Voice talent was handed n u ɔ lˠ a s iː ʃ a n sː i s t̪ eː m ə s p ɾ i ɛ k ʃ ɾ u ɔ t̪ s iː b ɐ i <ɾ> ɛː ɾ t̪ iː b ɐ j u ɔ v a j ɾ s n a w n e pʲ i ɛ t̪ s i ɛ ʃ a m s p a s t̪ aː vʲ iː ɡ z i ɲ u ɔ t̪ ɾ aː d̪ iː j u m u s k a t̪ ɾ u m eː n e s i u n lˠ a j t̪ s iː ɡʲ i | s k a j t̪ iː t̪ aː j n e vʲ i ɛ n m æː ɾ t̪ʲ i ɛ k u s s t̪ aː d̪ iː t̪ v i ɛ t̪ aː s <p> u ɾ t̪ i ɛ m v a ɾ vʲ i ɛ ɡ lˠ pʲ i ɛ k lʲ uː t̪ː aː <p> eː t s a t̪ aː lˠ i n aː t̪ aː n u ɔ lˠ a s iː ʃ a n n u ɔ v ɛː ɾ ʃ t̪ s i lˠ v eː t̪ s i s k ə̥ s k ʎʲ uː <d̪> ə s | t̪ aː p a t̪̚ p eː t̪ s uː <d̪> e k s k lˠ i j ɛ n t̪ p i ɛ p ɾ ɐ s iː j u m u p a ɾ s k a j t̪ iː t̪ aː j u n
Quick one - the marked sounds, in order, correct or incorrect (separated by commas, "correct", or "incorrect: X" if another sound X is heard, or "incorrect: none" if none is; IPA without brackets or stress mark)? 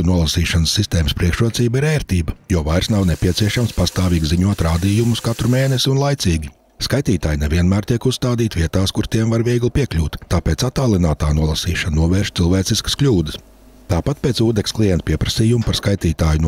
correct, incorrect: k, correct, correct, correct